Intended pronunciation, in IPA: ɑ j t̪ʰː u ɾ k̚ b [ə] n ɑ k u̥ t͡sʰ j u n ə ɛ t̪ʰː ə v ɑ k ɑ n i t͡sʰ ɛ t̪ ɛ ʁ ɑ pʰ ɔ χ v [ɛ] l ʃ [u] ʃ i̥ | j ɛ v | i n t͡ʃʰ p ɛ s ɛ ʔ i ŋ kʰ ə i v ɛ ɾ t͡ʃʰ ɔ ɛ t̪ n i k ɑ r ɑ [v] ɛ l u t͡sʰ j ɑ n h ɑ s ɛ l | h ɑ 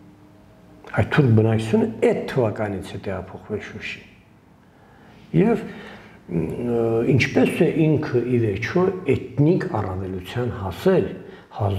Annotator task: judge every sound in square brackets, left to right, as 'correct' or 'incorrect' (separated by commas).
correct, correct, correct, correct